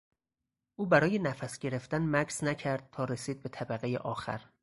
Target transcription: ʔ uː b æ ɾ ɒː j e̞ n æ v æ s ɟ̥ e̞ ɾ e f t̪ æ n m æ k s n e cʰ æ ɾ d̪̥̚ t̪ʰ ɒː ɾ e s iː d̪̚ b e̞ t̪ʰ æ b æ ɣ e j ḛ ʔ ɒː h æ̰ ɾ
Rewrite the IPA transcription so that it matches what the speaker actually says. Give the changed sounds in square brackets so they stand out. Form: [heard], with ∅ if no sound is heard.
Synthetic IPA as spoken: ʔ uː b æ ɾ ɒː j e̞ n æ [f] æ s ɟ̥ e̞ ɾ e f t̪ æ n m æ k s n [æ] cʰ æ ɾ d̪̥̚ t̪ʰ ɒː ɾ e s iː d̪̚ b e̞ t̪ʰ æ b æ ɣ e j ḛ ʔ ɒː [x] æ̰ ɾ